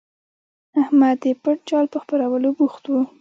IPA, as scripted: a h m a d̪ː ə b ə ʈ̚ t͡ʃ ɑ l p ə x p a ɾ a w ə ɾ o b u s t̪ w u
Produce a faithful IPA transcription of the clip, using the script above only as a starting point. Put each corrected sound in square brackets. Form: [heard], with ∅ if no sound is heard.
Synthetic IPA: a h m a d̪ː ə [p] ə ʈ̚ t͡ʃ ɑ l p ə x p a ɾ a w ə [l] o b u [x] t̪ w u